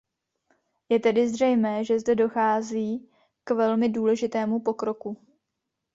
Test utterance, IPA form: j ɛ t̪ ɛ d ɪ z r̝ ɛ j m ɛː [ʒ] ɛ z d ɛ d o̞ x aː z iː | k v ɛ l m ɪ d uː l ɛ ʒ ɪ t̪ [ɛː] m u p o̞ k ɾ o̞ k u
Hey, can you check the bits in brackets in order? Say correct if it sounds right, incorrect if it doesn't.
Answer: correct, correct

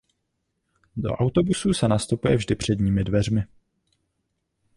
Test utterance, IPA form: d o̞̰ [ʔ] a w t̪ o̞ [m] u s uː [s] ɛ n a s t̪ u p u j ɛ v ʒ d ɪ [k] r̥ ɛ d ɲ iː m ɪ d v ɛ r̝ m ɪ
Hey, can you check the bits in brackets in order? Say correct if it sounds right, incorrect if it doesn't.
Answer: correct, incorrect, correct, incorrect

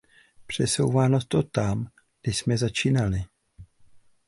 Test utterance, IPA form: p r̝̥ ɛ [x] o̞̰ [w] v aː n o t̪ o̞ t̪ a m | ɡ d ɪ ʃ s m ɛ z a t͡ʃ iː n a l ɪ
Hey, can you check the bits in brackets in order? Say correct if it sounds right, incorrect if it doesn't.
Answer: incorrect, correct

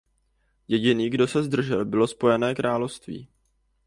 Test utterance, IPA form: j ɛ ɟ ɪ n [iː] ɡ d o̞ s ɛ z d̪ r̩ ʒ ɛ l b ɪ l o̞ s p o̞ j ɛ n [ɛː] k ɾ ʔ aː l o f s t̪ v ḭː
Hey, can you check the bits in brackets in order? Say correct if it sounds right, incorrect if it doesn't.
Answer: correct, correct

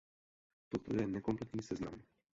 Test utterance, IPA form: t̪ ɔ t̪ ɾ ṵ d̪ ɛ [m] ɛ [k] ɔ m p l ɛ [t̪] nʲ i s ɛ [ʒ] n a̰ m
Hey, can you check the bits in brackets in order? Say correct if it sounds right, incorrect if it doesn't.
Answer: incorrect, correct, correct, incorrect

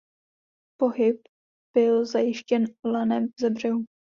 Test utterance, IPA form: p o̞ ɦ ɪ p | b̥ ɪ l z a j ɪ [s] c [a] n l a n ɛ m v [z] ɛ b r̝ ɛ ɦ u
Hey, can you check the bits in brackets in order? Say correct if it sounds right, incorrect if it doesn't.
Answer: incorrect, incorrect, correct

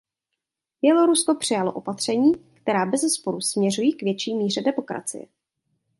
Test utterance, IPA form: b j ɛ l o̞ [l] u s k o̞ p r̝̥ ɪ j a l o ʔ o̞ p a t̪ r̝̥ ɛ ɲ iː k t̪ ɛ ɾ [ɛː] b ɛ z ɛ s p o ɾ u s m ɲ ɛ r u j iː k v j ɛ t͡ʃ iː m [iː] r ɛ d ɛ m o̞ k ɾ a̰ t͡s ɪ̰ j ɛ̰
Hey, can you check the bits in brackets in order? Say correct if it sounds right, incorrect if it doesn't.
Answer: incorrect, incorrect, correct

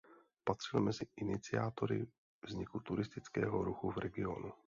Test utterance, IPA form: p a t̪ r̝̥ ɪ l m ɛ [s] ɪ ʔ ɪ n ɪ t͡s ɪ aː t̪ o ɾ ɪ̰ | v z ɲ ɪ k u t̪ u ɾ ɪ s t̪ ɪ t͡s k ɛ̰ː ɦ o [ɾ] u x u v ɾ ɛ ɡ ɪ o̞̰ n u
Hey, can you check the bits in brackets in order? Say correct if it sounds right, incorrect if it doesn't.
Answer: incorrect, correct

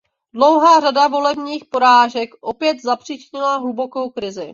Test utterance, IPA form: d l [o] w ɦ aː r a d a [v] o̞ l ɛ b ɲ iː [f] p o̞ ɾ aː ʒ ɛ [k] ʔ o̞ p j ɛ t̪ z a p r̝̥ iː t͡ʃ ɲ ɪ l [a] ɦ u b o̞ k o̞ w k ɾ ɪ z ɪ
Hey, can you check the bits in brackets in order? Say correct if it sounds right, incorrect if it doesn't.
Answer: correct, correct, incorrect, correct, correct

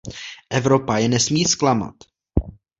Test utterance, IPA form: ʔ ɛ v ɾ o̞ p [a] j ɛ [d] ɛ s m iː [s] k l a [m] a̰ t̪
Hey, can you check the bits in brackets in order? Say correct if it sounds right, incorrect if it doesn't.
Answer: correct, incorrect, correct, correct

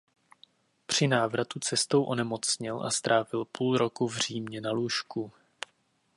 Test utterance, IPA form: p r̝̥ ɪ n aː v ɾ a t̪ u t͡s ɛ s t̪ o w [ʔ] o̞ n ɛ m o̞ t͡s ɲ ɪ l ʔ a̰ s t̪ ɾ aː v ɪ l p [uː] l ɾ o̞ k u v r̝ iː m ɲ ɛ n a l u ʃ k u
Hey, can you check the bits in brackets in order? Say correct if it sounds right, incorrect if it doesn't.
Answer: correct, correct

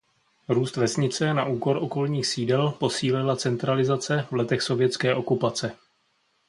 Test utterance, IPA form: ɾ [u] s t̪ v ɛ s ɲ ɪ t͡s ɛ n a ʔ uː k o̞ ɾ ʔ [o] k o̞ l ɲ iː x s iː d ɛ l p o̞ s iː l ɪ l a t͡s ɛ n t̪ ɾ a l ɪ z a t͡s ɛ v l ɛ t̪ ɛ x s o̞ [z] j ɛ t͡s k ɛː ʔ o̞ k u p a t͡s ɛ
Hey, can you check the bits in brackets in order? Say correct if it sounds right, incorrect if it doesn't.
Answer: incorrect, correct, incorrect

